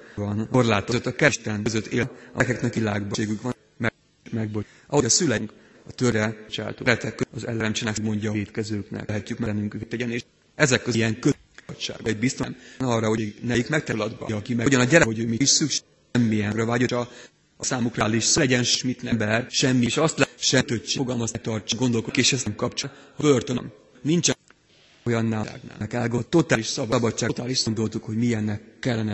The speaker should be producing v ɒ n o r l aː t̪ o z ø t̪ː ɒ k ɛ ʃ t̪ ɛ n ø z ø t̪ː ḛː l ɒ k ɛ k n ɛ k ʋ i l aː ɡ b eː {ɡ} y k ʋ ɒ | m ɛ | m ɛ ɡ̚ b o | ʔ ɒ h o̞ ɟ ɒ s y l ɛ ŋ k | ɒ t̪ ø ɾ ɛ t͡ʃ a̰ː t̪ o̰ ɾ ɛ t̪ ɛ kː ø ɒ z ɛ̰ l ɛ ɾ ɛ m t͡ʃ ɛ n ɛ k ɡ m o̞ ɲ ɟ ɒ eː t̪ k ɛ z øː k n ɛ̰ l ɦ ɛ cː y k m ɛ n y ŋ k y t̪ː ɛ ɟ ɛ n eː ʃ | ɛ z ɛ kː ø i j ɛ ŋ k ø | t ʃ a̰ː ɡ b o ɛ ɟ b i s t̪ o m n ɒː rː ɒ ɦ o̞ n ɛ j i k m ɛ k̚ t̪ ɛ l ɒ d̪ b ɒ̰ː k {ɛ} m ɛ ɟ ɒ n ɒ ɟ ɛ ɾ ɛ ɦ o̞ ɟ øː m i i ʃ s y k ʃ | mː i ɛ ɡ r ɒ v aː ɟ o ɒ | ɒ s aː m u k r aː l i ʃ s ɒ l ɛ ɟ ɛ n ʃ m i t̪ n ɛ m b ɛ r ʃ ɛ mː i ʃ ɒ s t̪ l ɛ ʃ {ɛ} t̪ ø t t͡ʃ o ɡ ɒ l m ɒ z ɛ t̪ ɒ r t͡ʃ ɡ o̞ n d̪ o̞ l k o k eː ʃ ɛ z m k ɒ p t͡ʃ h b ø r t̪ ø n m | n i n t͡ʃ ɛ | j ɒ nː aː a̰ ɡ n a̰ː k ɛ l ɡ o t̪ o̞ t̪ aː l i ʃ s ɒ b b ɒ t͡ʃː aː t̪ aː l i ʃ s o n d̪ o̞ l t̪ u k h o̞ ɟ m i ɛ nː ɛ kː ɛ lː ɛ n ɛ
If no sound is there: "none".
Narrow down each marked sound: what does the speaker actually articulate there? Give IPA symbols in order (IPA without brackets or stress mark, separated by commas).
ɡ, i, ɛ